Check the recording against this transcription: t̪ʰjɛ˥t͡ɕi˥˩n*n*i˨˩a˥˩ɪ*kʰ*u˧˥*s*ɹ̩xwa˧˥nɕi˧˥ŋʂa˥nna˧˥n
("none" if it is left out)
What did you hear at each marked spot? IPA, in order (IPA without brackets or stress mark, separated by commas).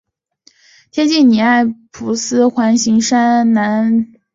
n, pʰ, s